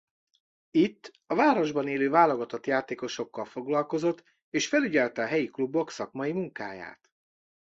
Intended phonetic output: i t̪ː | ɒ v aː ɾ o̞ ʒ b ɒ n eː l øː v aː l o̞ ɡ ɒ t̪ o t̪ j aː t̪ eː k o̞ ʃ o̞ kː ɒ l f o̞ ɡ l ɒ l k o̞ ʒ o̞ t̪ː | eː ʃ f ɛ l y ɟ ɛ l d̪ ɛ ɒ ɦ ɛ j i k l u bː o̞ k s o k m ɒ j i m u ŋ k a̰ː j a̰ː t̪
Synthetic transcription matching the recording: i t̪ː | ɒ v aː ɾ o̞ ʒ b ɒ n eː l øː v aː l o̞ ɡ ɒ t̪ o t̪ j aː t̪ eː k o̞ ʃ o̞ kː ɒ l f o̞ ɡ l ɒ l k o̞ z o̞ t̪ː | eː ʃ f ɛ l y ɟ ɛ l t̪ ɛ ɒ ɦ ɛ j i k l u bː o̞ k s ɒ k m ɒ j i m u ŋ k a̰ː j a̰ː t̪